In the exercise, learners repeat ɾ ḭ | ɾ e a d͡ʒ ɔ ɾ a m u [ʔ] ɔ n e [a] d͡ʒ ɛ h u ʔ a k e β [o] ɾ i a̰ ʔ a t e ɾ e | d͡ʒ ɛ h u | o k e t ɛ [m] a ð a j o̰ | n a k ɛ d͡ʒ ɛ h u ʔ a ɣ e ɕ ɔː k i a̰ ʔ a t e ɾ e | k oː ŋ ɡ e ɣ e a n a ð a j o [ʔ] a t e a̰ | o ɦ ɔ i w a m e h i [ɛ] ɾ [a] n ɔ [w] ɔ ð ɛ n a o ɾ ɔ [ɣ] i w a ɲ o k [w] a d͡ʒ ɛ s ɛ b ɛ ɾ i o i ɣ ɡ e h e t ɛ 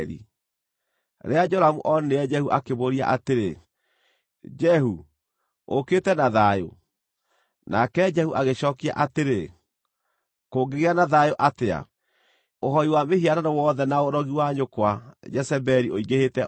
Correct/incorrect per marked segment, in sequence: correct, incorrect: ɛ, correct, incorrect: n, correct, incorrect: a, correct, correct, correct, correct

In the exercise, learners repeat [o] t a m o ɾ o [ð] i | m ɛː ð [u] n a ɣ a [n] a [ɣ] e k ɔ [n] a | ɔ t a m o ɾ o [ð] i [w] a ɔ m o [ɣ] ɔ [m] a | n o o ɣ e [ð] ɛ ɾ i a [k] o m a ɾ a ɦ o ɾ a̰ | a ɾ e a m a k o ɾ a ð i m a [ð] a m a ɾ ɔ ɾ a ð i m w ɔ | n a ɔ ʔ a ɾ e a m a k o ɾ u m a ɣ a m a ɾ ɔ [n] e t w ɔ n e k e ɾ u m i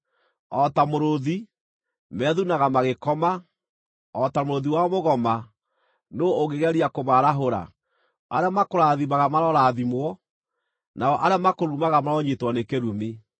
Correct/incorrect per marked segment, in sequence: incorrect: ɔ, correct, correct, incorrect: m, correct, incorrect: m, correct, correct, correct, correct, incorrect: ɣ, correct, incorrect: ɣ, incorrect: ɲ

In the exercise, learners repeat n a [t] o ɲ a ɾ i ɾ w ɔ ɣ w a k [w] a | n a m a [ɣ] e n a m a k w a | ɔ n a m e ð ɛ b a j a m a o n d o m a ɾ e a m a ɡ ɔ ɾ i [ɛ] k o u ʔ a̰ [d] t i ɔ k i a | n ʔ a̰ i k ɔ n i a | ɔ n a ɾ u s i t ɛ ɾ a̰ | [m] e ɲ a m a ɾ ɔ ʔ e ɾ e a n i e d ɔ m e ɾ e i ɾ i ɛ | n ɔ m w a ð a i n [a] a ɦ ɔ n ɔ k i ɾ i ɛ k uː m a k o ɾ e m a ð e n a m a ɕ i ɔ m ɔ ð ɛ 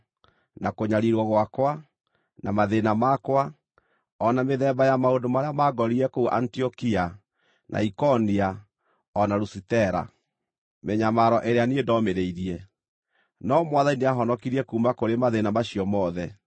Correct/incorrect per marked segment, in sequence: incorrect: k, correct, incorrect: ð, correct, incorrect: n, correct, incorrect: e

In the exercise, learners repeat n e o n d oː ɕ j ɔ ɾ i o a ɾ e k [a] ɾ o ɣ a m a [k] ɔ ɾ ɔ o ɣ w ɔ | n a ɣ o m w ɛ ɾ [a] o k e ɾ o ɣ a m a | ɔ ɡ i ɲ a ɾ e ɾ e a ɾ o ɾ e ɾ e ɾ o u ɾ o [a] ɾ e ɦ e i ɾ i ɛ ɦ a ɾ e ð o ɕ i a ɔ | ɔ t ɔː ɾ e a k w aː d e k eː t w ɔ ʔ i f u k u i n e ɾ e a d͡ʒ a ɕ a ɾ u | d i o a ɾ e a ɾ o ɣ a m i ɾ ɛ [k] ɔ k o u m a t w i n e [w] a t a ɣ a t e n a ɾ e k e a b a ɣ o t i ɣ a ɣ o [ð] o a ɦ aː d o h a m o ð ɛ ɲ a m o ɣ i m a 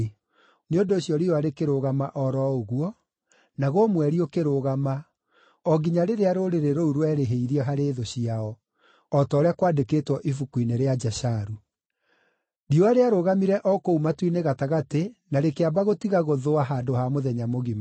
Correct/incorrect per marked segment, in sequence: incorrect: e, incorrect: ʔ, incorrect: i, incorrect: ɛ, incorrect: ʔ, incorrect: ɣ, correct

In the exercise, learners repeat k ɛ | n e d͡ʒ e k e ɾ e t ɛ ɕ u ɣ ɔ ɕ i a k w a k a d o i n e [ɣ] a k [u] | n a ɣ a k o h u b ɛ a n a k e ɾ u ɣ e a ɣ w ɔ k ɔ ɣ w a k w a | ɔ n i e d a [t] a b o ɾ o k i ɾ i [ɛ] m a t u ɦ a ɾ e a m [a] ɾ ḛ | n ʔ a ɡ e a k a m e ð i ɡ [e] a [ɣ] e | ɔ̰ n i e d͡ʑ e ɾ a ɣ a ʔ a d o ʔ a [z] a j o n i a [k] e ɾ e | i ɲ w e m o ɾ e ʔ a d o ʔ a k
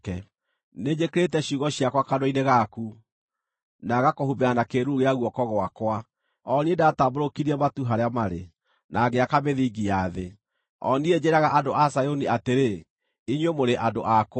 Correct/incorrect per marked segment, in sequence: correct, correct, correct, correct, correct, incorrect: i, incorrect: ð, incorrect: s, incorrect: t

